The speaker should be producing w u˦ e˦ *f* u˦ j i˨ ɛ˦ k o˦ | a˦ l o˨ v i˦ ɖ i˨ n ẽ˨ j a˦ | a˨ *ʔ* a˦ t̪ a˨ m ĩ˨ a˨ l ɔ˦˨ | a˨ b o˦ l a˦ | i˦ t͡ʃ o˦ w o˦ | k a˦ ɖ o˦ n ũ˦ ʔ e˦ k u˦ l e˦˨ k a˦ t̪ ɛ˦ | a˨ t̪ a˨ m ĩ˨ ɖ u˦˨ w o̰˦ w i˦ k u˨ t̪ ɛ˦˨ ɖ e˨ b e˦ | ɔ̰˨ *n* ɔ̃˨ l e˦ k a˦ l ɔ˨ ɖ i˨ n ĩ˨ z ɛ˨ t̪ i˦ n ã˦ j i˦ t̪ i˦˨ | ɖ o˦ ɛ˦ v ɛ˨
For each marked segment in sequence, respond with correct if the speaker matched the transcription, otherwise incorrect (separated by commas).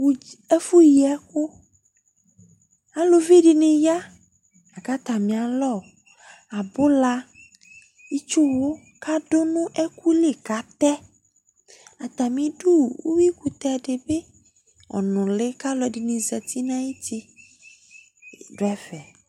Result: correct, incorrect, correct